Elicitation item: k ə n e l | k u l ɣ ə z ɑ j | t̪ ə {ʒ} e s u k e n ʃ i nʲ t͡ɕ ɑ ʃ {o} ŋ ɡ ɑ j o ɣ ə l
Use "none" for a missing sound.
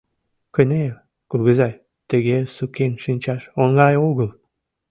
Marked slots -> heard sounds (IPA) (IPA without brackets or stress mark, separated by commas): ɣ, o